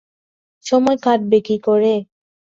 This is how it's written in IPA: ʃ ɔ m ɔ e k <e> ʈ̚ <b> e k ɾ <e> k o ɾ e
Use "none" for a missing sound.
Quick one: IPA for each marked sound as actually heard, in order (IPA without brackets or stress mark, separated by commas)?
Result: a, b, i